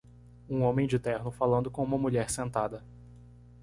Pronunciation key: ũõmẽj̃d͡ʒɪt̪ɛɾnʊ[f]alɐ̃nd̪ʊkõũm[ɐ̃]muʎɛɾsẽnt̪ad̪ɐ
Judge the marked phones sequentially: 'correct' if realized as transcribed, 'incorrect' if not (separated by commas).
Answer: correct, incorrect